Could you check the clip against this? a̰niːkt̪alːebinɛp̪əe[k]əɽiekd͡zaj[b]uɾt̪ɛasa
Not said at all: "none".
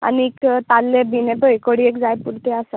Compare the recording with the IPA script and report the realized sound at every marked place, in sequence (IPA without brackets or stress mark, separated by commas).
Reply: k, p